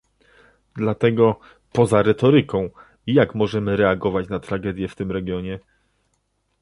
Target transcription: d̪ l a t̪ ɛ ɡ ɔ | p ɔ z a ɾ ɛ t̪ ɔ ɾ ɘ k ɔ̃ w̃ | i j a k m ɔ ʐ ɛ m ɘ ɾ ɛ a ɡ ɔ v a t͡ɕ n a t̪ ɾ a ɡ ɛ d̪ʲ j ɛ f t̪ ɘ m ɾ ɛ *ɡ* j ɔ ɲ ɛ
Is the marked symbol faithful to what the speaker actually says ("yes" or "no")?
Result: yes